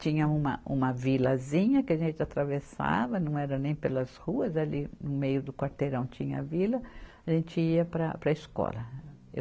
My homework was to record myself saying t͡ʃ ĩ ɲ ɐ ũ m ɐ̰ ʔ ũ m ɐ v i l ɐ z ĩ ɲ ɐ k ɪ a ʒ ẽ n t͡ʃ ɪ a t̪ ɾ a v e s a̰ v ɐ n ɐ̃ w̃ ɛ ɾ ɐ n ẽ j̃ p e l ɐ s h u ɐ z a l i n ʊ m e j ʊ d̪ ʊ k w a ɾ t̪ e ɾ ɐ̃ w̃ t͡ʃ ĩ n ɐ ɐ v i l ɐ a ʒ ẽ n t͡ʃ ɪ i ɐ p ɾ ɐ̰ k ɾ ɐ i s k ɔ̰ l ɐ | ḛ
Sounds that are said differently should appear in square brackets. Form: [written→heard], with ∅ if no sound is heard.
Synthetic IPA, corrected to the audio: t͡ʃ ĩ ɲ ɐ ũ m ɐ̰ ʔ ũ m ɐ v i l ɐ z ĩ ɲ ɐ k ɪ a ʒ ẽ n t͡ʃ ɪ a t̪ ɾ a v e s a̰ v ɐ n ɐ̃ w̃ ɛ ɾ ɐ n ẽ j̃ p e l ɐ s h u ɐ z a l i n ʊ m e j ʊ d̪ ʊ k w a ɾ t̪ e ɾ ɐ̃ w̃ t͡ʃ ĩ [n→ɲ] ɐ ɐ v i l ɐ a ʒ ẽ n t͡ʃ ɪ i ɐ p ɾ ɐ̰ [k→p] ɾ ɐ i s k ɔ̰ l ɐ | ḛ